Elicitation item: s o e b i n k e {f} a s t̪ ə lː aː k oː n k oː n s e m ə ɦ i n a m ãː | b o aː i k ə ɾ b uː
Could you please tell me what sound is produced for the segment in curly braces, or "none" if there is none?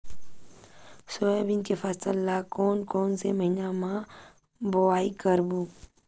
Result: f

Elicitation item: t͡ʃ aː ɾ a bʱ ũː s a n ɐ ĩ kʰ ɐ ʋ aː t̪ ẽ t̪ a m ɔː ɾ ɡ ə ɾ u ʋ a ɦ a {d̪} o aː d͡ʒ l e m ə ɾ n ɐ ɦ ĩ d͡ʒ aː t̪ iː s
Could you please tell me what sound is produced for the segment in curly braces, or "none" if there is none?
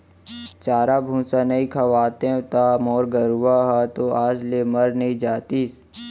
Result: t̪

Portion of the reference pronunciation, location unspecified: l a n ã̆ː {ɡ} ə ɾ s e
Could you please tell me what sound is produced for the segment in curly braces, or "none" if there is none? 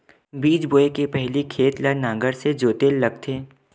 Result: ɡ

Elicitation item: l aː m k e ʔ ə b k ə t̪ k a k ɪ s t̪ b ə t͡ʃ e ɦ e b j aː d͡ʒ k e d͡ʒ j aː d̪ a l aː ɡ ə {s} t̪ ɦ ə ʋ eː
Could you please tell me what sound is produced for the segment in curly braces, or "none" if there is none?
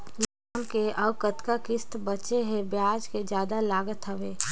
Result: none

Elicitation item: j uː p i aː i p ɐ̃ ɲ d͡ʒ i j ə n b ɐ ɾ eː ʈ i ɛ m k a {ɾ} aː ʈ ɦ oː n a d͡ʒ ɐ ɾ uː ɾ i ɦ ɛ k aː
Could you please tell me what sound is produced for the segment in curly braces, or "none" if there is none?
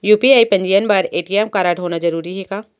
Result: ɾ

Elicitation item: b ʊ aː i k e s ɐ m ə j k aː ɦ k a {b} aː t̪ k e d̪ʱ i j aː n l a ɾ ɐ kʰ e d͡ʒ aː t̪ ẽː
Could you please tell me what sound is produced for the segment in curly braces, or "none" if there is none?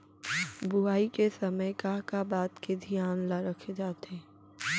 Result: b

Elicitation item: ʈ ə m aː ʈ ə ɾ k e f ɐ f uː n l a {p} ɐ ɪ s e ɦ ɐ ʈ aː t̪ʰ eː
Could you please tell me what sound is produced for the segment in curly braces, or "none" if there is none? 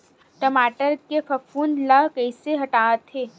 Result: k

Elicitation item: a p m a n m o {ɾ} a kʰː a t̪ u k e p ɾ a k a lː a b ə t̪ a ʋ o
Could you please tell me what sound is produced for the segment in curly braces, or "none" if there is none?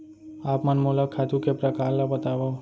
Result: l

